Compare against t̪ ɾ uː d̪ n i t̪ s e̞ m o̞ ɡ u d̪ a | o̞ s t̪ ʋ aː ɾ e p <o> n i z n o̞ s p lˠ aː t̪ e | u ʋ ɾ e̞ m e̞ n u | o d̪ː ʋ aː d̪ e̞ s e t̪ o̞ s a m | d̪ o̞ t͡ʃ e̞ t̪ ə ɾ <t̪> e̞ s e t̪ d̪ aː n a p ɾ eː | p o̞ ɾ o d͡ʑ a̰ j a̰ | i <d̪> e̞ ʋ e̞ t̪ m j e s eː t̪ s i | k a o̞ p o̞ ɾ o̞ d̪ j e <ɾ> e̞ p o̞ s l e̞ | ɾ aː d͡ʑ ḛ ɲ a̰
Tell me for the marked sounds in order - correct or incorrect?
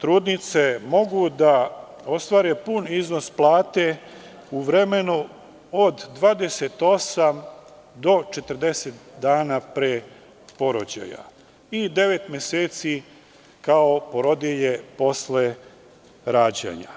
incorrect: u, incorrect: d̪, correct, incorrect: ʎ

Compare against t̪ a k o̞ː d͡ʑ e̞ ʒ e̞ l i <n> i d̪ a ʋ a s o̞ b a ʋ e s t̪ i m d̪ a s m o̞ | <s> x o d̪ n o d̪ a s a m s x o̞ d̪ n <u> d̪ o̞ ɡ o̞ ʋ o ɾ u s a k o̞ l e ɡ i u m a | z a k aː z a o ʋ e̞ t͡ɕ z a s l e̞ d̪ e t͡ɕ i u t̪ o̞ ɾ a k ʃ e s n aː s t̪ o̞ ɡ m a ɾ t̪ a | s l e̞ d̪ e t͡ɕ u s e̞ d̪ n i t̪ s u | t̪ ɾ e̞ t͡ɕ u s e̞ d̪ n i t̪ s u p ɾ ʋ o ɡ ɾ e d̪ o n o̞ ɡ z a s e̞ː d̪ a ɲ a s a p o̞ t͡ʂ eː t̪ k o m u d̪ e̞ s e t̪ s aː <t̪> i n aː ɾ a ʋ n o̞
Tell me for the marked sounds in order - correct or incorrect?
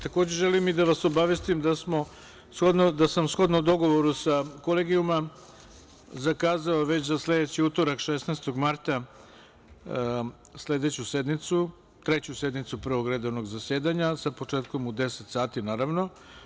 incorrect: m, correct, incorrect: o, correct

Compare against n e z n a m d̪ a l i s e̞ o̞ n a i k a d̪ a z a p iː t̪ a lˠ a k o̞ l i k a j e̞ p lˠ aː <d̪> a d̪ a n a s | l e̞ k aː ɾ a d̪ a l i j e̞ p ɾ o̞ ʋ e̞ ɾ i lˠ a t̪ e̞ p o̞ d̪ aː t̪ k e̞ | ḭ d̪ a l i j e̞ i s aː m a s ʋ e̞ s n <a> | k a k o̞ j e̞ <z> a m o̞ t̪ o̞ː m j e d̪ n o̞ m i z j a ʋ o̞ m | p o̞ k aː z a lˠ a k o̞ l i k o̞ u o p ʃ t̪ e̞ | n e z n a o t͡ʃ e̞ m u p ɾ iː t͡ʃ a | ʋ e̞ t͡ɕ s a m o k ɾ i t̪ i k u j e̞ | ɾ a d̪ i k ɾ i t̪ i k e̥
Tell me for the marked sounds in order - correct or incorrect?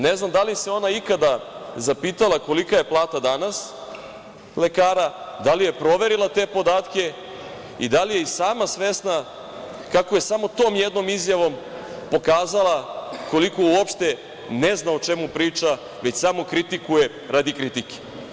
incorrect: t̪, correct, incorrect: s

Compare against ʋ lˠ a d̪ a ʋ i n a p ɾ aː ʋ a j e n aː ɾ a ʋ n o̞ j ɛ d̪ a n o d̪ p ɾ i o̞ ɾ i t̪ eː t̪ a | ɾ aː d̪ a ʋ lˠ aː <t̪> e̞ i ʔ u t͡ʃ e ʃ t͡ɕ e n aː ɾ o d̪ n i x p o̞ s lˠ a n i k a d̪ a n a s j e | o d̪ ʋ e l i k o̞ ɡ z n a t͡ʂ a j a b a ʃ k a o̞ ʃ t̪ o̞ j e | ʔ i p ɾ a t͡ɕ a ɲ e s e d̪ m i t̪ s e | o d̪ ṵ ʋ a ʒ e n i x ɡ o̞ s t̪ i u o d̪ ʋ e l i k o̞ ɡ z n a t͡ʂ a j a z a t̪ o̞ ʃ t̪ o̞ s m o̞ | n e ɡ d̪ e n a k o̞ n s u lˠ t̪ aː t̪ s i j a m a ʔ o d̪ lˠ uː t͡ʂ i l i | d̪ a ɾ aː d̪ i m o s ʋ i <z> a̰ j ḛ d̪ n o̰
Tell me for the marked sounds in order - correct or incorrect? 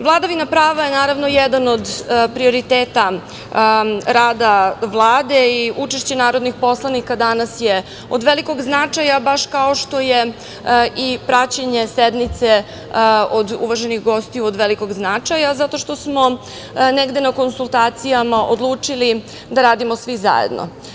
incorrect: d̪, correct

